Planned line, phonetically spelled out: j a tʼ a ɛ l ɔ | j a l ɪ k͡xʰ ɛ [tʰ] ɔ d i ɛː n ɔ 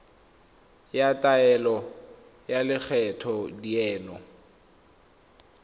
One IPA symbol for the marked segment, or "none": tʰ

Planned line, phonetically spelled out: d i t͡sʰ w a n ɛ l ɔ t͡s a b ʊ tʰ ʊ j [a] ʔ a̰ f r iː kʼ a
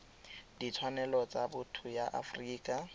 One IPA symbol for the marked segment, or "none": a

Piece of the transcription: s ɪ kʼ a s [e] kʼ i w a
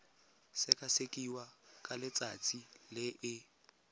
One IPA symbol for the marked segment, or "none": e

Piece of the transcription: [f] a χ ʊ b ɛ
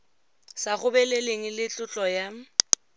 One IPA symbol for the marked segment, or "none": s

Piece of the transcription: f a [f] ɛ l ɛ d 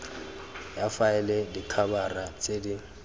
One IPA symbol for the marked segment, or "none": none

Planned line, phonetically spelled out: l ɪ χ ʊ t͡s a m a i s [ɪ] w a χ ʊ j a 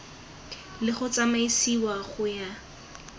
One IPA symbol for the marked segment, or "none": i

